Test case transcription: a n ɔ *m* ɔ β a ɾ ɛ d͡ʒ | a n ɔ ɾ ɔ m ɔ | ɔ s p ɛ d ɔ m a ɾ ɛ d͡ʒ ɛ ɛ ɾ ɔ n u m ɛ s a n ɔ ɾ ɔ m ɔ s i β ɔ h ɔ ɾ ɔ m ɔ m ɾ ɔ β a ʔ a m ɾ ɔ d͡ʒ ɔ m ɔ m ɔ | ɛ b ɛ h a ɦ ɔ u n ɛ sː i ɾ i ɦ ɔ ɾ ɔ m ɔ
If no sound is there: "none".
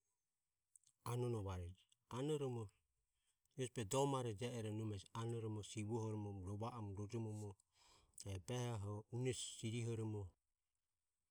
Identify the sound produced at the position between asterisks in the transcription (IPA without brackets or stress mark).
n